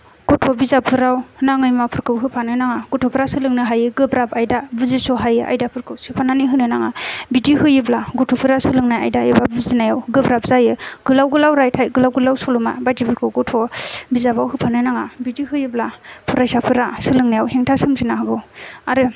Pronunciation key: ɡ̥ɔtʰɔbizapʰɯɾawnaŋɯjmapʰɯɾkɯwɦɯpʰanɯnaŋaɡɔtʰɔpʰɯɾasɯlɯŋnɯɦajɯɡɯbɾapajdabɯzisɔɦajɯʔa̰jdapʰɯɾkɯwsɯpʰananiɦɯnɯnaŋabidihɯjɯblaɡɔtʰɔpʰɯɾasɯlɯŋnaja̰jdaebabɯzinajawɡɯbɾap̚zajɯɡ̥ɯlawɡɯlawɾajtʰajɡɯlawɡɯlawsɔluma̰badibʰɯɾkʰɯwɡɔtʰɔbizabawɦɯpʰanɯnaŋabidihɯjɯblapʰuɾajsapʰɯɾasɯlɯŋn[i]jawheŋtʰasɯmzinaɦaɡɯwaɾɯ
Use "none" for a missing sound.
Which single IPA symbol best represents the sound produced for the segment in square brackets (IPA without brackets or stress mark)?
a